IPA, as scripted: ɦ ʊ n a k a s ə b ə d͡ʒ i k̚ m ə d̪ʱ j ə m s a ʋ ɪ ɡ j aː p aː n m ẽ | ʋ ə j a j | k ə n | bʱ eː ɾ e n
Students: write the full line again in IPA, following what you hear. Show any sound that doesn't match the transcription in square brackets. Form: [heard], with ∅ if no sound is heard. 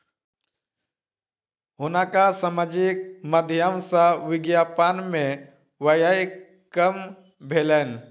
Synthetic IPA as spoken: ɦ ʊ n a k a s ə [m] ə d͡ʒ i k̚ m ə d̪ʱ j ə m s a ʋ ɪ ɡ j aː p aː n m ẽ | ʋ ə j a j | k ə [m] | bʱ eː [l] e n